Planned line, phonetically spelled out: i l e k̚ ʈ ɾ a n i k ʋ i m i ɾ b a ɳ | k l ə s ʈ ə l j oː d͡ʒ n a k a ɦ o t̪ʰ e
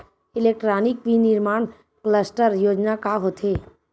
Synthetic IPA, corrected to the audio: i l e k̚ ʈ ɾ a n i k ʋ i n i ɾ m a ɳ | k l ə s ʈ ə ɾ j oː d͡ʒ n a k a ɦ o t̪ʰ e

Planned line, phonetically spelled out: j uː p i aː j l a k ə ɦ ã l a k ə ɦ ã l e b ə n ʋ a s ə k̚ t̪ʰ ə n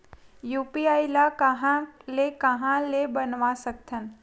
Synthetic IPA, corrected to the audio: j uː p i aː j l a k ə ɦ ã l e k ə ɦ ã l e b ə n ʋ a s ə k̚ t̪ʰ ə n

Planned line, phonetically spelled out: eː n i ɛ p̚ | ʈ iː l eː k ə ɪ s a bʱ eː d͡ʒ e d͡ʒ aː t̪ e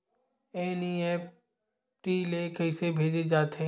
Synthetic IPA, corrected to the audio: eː n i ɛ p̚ | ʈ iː l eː k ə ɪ s e bʱ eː d͡ʒ e d͡ʒ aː t̪ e

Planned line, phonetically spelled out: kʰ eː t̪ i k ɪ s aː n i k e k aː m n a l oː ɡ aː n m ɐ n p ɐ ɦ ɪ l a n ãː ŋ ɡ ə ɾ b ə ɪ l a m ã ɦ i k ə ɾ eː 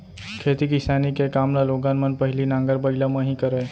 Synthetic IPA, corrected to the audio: kʰ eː t̪ i k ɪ s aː n i k e k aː m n a l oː ɡ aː n m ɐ n p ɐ ɦ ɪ l i n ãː ŋ ɡ ə ɾ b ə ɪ l a m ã ɦ i k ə ɾ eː

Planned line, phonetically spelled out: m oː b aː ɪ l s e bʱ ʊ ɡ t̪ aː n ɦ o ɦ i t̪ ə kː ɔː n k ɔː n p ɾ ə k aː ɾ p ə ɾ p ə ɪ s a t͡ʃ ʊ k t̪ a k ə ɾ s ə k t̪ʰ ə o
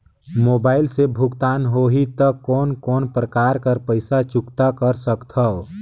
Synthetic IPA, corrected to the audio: m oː b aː ɪ l s e bʱ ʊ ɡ t̪ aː n ɦ o ɦ i t̪ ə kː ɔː n k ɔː n p ɾ ə k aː ɾ k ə ɾ p ə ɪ s a t͡ʃ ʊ k t̪ a k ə ɾ s ə k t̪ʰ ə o

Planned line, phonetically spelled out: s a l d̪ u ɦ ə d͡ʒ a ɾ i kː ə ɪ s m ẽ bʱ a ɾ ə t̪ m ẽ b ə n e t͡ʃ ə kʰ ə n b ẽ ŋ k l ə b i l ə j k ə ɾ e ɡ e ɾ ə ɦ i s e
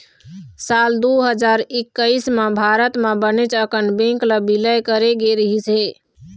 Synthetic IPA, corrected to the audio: s a l d̪ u ɦ ə d͡ʒ a ɾ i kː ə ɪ s m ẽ bʱ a ɾ ə t̪ m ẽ b ə n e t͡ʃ ə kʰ ə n b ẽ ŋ k l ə b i l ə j k ə ɾ e ɡ e ɾ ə ɦ i s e

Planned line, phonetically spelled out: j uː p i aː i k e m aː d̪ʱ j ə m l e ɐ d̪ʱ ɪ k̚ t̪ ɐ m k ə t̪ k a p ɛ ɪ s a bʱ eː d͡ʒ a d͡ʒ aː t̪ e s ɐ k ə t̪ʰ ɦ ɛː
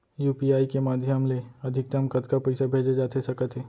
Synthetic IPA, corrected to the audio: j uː p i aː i k e m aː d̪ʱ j ə m l e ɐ d̪ʱ ɪ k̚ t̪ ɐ m k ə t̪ k a p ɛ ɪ s a bʱ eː d͡ʒ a d͡ʒ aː t̪ e s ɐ k ə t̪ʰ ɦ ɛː

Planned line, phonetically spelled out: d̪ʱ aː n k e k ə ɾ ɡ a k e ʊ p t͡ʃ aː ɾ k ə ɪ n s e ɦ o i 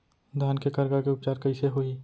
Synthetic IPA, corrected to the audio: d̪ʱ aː n k e k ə ɾ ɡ a k e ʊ p t͡ʃ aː ɾ k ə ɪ s e ɦ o i

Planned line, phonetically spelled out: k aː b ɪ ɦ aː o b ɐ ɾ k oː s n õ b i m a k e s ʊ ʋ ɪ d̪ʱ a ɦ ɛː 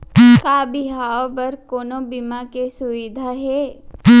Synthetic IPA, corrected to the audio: k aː b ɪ ɦ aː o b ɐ ɾ k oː n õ b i m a k e s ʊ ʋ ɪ d̪ʱ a ɦ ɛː

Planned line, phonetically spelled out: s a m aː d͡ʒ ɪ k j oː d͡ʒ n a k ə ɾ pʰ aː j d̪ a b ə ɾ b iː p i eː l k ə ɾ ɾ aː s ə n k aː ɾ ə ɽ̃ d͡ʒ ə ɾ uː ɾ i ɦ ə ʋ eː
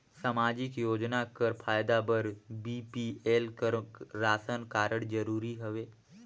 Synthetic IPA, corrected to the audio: s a m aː d͡ʒ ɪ k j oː d͡ʒ n a k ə ɾ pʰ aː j d̪ a b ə ɾ b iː p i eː l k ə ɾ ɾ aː s ə n k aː ɾ ə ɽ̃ d͡ʒ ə ɾ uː ɾ i ɦ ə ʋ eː

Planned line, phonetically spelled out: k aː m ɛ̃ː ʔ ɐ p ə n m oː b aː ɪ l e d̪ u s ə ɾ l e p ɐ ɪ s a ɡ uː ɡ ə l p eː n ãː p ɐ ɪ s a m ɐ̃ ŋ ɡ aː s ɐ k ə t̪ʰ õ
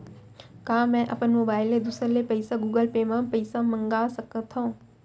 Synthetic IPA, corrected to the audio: k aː m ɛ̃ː ʔ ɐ p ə n m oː b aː ɪ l e d̪ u s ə ɾ l e p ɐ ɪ s a ɡ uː ɡ ə l p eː m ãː p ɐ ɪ s a m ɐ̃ ŋ ɡ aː s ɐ k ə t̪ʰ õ

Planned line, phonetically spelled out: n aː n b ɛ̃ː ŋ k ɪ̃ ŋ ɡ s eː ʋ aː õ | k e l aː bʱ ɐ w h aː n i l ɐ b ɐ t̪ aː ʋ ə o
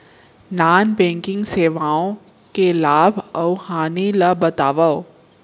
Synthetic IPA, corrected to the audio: n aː n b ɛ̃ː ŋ k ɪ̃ ŋ ɡ s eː ʋ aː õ | k e l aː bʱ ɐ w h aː n i l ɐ b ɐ t̪ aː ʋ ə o

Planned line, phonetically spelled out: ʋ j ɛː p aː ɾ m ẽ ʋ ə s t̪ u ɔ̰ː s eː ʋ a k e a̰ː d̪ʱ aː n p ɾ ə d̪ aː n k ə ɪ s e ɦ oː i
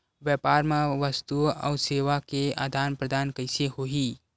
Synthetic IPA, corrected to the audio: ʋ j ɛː p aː ɾ m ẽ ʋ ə s t̪ u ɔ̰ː s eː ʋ a k e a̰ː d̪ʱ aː n p ɾ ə d̪ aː n k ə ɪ s e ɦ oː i

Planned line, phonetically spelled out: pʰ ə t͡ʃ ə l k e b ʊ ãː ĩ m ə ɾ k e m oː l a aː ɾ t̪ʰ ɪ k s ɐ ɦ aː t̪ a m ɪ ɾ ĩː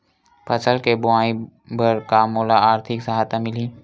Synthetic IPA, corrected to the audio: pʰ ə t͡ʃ ə l k e b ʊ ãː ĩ b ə ɾ k a m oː l a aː ɾ t̪ʰ ɪ k s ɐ ɦ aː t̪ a m ɪ l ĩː

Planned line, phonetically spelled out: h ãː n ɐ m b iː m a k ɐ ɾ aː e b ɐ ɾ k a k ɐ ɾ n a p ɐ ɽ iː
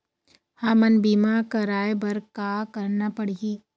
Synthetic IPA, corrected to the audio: h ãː m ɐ n b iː m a k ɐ ɾ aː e b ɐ ɾ k a k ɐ ɾ n a p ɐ ɽ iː

